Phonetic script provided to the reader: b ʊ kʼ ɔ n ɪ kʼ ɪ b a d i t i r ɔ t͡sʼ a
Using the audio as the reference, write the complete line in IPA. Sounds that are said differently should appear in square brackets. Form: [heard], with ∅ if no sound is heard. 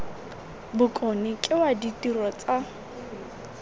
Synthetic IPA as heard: b ʊ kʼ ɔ n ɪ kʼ ɪ [w] a d i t i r ɔ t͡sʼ a